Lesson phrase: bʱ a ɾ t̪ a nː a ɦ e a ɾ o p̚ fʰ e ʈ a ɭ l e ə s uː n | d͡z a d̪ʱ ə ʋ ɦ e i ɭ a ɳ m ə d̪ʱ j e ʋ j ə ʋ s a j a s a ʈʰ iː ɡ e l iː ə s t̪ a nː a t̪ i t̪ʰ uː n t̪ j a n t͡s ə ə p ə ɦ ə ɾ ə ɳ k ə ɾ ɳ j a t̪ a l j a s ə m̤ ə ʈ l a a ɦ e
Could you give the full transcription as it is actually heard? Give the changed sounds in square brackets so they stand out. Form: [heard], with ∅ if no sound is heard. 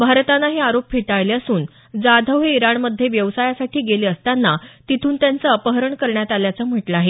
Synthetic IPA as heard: bʱ a ɾ t̪ a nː a ɦ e a ɾ o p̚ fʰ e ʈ a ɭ l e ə s uː n | d͡z a d̪ʱ ə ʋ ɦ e i [ɾ] a ɳ m ə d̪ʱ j e ʋ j ə ʋ s a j a s a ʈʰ iː ɡ e l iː ə s t̪ a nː a t̪ i t̪ʰ uː n t̪ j a n t͡s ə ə p ə ɦ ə ɾ ə ɳ k ə ɾ ɳ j a t̪ a l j a [t͡s] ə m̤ ə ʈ l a a ɦ e